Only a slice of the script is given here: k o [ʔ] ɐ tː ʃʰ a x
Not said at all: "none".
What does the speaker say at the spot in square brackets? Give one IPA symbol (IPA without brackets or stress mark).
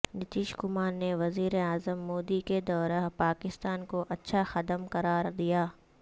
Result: ʔ